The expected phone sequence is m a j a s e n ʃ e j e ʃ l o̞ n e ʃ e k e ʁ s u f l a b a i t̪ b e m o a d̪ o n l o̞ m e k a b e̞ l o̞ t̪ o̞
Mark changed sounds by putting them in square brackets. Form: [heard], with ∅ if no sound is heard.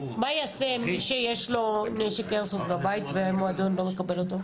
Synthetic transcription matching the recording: m a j a s e [m] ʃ e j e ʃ l o̞ n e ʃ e k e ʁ s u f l a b a i t̪ [v] e m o a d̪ o n l o̞ m e k a b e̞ l o̞ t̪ o̞